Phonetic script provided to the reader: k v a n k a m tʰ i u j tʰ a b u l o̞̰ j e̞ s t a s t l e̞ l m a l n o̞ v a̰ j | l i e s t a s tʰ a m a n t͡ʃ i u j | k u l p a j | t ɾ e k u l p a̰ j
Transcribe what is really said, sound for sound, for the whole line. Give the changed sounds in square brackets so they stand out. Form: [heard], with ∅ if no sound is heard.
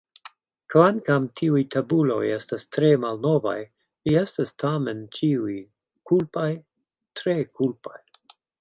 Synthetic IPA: k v a n k a m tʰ i u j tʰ a b u l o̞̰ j e̞ s t a s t [ɾ] e̞ [∅] m a l n o̞ v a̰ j | l i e s t a s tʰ a m [e] n t͡ʃ i u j | k u l p a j | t ɾ e k u l p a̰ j